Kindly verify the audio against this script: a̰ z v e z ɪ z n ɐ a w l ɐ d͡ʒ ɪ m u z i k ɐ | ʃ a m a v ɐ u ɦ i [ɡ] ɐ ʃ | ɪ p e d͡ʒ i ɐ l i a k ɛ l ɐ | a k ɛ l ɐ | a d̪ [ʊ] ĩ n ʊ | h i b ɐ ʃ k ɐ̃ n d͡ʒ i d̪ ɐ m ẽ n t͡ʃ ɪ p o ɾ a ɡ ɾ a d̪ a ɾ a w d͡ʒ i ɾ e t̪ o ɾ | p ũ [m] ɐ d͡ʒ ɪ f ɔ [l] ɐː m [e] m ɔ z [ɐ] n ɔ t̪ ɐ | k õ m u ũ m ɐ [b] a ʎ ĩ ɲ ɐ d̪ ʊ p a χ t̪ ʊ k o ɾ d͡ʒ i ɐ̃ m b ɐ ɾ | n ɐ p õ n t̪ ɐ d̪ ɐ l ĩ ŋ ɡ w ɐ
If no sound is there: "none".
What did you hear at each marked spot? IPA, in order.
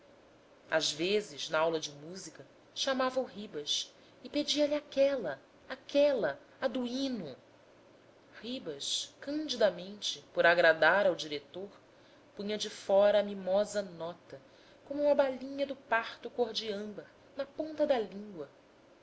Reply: b, u, ɲ, ɾ, i, ɐ, b

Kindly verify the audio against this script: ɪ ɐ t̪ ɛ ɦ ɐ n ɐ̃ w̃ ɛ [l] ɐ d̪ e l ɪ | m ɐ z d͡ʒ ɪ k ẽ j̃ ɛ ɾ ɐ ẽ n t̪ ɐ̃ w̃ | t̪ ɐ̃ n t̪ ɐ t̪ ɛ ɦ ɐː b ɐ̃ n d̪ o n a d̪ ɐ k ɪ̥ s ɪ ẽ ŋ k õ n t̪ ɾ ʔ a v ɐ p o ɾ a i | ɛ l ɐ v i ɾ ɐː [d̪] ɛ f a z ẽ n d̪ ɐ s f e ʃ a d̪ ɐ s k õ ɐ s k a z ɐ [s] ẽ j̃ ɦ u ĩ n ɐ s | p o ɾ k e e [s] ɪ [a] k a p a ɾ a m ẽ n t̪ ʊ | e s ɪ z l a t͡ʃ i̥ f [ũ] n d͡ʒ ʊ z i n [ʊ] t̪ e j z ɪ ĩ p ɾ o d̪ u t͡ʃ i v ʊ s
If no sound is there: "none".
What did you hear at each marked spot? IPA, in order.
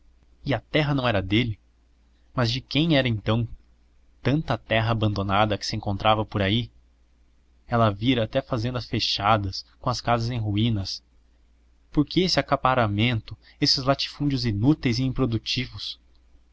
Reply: ɾ, t̪, z, s, a, ũ, u

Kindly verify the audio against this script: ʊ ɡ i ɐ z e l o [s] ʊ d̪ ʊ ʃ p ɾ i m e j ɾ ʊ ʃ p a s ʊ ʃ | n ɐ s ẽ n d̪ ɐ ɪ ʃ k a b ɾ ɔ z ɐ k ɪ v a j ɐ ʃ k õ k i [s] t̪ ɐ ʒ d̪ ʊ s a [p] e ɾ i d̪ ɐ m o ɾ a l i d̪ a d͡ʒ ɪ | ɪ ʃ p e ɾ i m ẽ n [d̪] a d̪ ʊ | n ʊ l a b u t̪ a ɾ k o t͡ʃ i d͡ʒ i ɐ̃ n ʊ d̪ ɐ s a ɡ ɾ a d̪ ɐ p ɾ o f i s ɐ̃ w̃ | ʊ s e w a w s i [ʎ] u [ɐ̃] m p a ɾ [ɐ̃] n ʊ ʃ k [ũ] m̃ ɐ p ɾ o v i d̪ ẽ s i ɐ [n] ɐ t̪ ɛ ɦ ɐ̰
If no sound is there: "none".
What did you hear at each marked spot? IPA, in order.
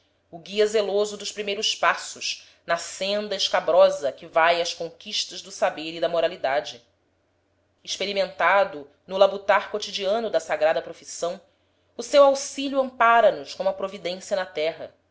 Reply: z, ʃ, b, t̪, ʎ, ɐ̃, ɐ, õ, n

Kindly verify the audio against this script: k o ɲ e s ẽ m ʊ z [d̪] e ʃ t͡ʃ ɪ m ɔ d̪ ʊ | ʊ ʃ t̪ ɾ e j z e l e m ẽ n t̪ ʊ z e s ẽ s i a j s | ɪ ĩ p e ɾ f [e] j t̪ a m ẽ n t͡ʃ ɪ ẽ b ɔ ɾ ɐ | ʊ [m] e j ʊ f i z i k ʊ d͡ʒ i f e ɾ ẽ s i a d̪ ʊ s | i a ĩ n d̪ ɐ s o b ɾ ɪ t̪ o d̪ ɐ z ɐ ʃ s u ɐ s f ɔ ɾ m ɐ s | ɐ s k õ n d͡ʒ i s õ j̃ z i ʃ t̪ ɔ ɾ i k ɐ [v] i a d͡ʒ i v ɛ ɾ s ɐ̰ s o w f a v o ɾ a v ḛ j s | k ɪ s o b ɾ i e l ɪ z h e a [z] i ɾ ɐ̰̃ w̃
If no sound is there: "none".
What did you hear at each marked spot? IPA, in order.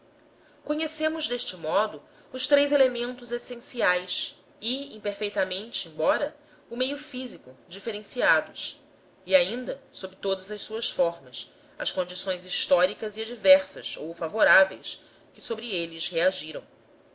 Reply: d̪, e, m, z, ʒ

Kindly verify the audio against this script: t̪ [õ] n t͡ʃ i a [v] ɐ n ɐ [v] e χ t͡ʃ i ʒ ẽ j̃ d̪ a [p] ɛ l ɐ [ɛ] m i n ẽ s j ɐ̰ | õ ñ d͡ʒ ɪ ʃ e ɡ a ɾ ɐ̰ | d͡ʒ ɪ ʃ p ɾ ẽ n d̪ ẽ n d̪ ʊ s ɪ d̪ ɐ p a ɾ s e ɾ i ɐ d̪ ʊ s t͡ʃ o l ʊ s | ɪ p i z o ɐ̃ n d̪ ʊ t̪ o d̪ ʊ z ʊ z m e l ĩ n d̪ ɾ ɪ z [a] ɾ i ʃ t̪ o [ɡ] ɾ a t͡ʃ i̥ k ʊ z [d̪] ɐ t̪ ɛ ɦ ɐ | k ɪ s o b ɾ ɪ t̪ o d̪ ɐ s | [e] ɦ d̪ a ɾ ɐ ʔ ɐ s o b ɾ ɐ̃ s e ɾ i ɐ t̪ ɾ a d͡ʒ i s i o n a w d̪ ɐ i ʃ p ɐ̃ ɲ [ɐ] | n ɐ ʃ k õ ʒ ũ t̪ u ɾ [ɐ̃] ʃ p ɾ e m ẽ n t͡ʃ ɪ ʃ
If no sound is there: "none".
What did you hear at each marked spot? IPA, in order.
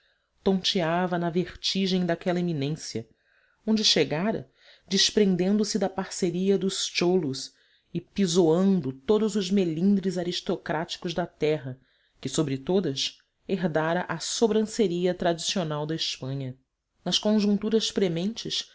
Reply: õ, v, v, k, e, a, k, d̪, e, ɐ, ɐ

